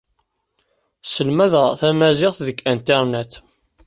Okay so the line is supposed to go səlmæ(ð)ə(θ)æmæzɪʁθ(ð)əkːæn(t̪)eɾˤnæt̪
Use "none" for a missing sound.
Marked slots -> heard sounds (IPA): ð, θ, ð, t̪

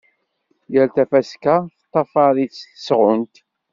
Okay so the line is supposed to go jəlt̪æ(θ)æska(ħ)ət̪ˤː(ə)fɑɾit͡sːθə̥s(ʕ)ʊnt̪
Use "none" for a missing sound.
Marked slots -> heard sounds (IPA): f, θ, ɑ, ʁ

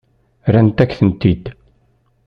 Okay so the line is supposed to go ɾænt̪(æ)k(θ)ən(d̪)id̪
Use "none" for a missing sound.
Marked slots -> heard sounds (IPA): æ, θ, t̪

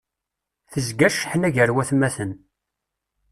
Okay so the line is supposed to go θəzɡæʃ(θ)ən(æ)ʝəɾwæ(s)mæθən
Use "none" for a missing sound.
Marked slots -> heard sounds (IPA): ħ, æ, θ

